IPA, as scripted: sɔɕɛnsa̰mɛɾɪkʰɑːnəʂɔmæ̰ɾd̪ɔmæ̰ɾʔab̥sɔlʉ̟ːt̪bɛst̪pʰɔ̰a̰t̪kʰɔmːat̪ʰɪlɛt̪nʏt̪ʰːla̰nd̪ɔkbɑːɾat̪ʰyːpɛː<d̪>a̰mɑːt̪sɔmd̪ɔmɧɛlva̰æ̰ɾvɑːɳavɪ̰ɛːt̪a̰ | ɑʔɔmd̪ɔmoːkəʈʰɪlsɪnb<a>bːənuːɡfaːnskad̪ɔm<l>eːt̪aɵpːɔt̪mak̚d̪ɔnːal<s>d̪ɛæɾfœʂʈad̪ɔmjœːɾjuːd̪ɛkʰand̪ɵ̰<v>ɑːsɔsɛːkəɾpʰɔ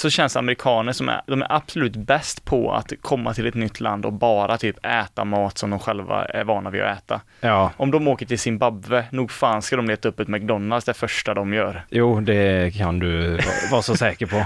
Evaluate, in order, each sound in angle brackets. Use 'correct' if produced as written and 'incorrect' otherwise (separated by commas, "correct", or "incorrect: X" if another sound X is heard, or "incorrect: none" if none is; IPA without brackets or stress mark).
incorrect: t̪, correct, correct, correct, correct